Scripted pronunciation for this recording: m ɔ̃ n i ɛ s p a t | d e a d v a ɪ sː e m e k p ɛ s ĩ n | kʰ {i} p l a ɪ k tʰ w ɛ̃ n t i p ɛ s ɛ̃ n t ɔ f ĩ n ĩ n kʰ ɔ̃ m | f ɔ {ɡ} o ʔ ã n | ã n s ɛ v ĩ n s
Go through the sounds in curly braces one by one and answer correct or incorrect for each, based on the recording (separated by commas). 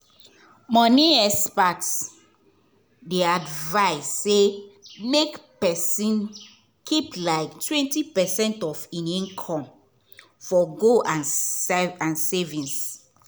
correct, correct